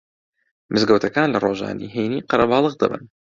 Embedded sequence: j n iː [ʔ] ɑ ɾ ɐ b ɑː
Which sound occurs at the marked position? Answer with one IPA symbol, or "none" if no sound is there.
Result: q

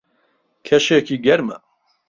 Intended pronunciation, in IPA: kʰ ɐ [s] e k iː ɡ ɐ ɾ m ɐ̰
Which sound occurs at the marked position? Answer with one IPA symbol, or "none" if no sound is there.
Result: ʃ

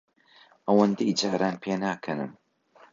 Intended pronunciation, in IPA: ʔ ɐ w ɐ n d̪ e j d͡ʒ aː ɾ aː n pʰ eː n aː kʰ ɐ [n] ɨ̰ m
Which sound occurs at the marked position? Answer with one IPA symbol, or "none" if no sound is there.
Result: n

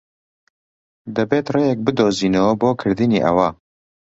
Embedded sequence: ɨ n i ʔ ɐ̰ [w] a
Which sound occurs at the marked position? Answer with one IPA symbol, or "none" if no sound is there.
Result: w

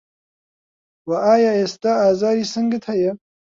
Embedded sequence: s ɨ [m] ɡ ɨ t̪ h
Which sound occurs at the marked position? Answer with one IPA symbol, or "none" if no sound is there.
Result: ŋ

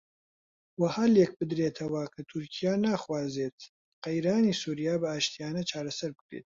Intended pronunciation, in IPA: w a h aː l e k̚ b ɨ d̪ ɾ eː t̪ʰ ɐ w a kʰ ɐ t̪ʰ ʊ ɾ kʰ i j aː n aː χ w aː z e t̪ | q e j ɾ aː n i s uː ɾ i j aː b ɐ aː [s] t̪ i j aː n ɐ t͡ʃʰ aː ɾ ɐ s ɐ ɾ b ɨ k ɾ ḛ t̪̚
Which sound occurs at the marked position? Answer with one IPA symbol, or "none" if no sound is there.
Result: ʃ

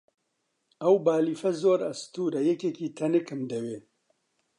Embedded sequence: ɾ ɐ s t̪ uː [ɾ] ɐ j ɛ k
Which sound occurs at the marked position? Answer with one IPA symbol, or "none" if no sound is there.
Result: ɾ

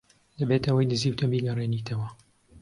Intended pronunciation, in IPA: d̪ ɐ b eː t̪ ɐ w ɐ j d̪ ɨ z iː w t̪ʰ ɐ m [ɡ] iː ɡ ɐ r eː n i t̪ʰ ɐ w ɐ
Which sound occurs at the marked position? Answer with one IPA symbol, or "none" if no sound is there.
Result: b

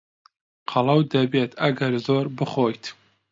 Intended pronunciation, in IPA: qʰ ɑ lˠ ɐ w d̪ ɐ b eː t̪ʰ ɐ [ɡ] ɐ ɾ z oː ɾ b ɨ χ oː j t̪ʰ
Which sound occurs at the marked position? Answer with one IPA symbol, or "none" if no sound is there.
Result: ɡ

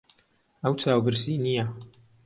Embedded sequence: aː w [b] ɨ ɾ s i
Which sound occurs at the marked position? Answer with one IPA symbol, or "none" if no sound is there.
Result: b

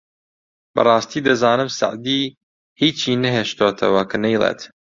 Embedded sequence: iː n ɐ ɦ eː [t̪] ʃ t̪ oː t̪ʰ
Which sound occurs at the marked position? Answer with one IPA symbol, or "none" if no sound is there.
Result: none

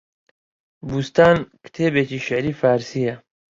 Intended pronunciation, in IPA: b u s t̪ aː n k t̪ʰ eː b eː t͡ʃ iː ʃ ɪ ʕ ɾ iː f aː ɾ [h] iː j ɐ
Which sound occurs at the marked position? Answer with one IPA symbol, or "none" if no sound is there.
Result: s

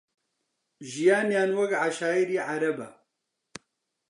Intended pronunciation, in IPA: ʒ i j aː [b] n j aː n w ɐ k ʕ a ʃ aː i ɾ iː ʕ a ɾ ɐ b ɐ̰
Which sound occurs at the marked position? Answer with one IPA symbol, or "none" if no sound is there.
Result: none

